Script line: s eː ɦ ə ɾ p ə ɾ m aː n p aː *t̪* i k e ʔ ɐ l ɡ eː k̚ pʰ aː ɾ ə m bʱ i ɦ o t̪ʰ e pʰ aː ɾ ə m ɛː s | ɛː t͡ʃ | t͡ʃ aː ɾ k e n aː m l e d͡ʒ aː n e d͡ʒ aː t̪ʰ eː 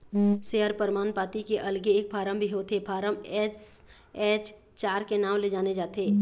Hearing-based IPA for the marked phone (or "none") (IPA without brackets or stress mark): t̪